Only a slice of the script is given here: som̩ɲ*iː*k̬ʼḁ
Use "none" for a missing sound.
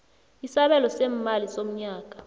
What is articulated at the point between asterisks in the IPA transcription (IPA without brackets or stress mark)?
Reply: aː